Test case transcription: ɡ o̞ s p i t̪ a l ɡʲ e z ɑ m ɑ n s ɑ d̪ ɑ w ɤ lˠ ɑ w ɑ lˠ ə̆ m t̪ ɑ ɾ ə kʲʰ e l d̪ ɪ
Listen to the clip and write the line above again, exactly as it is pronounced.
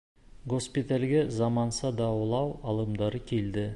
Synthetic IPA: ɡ o̞ s p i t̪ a l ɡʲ e z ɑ m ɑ n s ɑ d̪ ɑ w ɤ lˠ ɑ w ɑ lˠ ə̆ m d̪ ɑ ɾ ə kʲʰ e l d̪ ɪ